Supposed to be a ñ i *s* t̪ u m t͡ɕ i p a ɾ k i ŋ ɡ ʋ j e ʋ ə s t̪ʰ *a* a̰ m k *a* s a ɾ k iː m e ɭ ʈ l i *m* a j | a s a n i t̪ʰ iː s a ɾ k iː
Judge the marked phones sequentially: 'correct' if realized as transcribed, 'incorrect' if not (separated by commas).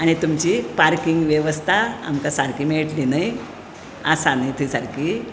incorrect, correct, correct, incorrect